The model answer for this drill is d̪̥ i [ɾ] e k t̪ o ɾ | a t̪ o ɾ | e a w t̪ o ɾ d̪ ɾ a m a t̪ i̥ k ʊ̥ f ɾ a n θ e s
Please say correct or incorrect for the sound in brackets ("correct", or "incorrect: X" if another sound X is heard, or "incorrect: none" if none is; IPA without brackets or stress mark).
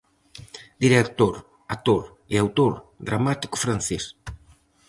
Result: correct